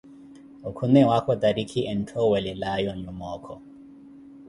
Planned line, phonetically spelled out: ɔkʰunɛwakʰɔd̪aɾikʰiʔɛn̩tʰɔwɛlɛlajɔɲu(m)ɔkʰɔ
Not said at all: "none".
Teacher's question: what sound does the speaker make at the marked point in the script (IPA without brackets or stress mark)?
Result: m